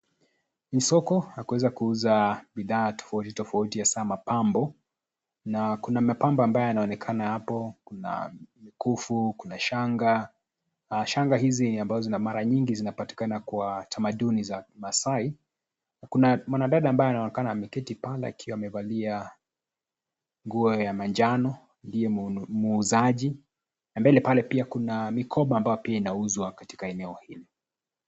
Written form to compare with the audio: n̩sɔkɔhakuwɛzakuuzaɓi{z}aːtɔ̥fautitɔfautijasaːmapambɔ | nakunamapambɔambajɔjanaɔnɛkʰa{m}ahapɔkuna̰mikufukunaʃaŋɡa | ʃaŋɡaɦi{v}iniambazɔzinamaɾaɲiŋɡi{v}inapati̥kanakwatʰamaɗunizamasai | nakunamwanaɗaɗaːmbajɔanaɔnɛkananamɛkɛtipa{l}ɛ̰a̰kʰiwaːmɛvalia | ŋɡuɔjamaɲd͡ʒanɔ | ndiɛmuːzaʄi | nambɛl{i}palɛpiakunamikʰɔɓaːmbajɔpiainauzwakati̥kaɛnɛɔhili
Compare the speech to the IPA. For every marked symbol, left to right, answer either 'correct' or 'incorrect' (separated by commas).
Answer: incorrect, incorrect, incorrect, incorrect, correct, incorrect